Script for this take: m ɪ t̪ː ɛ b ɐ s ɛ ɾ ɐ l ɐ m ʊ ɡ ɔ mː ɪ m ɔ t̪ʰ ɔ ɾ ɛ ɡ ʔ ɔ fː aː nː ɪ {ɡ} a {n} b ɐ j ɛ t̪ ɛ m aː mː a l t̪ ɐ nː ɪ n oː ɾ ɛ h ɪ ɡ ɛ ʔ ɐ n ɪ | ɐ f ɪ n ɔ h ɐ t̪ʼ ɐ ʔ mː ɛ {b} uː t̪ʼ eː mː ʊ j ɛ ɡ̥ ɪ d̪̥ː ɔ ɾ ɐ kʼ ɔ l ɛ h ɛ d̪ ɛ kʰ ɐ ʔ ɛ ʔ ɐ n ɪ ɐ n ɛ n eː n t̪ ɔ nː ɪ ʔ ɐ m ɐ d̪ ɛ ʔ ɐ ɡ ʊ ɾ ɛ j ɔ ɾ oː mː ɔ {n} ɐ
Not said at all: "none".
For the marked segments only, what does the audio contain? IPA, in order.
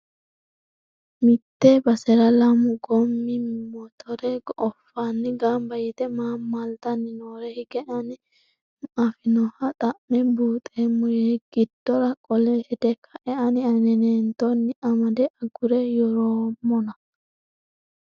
ɡ, m, b, n

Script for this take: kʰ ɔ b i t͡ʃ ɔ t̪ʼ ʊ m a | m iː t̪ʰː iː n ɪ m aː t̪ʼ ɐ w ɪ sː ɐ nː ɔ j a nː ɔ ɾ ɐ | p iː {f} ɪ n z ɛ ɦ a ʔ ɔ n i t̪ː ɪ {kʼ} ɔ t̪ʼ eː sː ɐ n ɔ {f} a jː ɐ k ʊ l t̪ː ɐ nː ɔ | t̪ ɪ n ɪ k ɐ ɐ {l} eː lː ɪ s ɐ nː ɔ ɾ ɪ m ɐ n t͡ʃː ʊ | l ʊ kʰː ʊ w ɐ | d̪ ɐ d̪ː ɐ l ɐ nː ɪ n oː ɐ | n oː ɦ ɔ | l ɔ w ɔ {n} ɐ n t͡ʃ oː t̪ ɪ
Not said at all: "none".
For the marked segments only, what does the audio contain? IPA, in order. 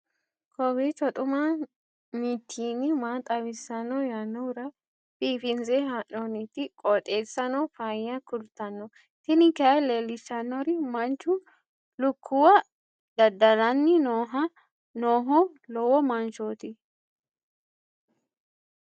f, kʼ, f, l, m

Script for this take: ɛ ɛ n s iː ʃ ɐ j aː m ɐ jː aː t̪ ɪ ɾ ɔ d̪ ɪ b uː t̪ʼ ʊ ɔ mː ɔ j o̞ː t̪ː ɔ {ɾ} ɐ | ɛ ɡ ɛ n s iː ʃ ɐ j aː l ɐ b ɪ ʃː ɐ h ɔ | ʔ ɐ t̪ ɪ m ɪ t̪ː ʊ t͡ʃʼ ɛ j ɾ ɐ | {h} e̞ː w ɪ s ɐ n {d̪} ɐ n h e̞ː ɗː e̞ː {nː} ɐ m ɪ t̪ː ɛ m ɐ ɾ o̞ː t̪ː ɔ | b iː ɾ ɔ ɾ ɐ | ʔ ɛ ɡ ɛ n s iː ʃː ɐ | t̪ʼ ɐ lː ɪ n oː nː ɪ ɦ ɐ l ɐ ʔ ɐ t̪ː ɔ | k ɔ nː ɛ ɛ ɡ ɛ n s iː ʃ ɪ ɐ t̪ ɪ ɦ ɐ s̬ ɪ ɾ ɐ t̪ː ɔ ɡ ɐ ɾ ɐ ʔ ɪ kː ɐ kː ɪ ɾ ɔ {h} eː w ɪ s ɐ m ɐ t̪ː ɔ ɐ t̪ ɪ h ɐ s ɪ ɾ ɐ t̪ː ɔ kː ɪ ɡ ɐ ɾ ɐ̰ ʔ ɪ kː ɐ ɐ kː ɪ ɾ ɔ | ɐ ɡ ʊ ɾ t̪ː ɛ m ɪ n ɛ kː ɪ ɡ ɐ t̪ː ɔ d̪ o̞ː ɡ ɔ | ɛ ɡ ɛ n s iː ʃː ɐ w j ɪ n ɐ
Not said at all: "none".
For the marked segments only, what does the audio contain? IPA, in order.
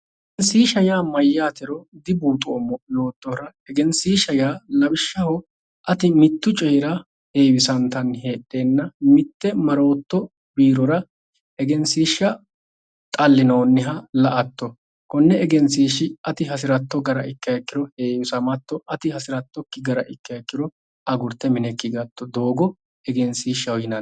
ɾ, h, t̪, nː, h

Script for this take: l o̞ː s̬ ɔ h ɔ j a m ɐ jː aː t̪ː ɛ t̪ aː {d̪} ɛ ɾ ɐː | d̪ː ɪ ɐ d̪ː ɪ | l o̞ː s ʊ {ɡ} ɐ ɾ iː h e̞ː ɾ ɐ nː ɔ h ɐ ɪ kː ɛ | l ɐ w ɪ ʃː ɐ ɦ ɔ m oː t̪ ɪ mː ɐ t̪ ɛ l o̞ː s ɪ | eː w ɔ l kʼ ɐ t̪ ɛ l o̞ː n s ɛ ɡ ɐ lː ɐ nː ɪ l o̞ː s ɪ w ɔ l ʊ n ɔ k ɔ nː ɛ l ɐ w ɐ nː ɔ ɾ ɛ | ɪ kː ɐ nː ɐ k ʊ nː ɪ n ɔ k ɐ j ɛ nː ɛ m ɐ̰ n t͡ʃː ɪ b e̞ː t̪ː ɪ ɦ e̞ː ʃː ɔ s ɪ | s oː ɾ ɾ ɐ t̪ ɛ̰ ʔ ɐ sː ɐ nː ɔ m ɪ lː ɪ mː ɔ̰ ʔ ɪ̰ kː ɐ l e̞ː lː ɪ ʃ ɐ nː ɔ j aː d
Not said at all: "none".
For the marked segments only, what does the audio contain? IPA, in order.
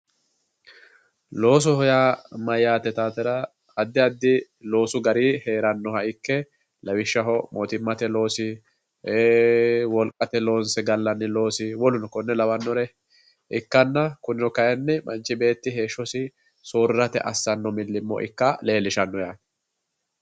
t̪, ɡ

